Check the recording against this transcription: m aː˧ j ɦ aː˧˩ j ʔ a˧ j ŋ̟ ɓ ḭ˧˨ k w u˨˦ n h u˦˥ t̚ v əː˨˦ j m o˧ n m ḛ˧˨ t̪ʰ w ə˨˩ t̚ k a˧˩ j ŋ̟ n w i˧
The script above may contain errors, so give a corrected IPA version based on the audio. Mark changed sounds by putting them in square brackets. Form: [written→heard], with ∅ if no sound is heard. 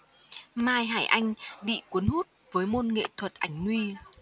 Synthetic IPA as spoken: m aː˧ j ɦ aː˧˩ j ʔ a˧ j ŋ̟ ɓ ḭ˧˨ k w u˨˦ n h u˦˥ t̚ v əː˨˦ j m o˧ n [m→ŋ] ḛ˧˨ t̪ʰ w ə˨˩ t̚ [k→ʔ] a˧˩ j ŋ̟ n w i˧